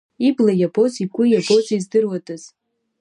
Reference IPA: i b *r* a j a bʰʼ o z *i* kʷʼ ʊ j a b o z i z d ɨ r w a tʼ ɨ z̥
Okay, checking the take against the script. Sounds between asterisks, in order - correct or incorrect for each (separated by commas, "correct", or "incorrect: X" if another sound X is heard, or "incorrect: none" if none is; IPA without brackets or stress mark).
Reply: incorrect: l, correct